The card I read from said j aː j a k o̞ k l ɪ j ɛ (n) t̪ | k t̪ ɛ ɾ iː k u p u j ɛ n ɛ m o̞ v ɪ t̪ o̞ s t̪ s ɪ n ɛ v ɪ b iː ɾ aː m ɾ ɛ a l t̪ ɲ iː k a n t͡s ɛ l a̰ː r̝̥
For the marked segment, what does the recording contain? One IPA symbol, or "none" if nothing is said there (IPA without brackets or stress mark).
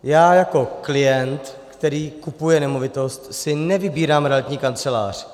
n